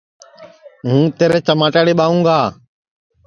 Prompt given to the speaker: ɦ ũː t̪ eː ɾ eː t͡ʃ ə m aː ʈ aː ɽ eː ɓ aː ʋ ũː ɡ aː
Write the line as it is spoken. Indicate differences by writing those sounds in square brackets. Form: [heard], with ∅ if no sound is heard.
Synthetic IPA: ɦ ũː t̪ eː ɾ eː t͡ʃ ə m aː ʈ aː ɽ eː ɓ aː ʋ ũː ɡ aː